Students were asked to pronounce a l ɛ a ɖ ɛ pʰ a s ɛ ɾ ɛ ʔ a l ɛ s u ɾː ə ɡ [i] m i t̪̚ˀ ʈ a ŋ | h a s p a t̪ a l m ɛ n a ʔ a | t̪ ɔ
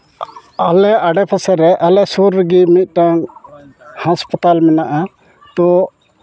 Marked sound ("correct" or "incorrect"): correct